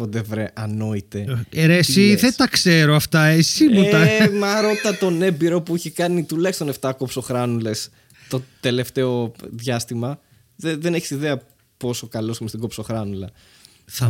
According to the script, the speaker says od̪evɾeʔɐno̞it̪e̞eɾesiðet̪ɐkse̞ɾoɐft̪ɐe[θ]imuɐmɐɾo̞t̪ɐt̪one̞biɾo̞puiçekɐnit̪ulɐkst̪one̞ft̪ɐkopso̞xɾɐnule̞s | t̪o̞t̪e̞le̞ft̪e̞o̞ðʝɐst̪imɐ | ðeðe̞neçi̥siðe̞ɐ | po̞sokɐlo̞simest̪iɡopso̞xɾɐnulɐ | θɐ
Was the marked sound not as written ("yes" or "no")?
yes